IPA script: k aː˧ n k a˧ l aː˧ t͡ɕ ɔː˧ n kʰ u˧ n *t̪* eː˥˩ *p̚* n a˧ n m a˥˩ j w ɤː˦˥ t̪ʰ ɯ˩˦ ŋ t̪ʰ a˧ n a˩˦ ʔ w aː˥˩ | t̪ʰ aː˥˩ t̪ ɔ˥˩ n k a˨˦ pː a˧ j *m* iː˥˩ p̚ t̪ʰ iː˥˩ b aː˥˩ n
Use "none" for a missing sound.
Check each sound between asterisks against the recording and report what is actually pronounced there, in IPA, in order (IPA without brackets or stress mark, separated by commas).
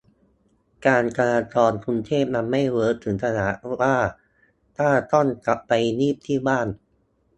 t̪ʰ, p̚, n